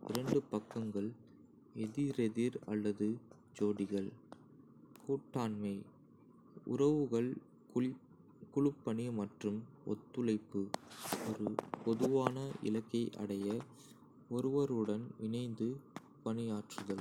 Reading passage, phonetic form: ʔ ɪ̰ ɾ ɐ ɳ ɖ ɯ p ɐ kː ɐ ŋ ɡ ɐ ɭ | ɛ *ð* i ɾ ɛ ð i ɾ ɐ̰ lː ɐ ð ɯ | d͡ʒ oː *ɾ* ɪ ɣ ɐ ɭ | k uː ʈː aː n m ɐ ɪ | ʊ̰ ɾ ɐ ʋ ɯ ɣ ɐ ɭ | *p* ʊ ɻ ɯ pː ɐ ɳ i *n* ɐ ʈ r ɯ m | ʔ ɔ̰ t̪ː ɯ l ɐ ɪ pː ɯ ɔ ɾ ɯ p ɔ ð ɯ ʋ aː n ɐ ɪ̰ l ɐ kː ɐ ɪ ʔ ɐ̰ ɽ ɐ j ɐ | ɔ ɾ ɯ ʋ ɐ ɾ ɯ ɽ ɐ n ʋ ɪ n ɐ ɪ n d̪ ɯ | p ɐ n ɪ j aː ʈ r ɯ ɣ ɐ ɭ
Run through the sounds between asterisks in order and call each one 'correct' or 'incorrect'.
correct, incorrect, incorrect, incorrect

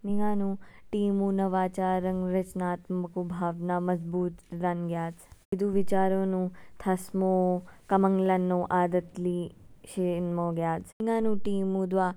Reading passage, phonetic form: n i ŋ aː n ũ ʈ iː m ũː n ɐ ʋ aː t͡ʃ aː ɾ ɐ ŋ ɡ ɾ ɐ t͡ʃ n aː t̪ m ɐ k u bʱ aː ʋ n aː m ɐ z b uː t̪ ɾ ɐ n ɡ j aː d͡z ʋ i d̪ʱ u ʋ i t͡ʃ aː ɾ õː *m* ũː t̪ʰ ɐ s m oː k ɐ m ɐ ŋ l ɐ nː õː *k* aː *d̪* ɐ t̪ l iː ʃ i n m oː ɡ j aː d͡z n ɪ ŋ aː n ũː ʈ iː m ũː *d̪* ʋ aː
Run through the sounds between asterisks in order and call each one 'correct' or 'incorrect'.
incorrect, incorrect, correct, correct

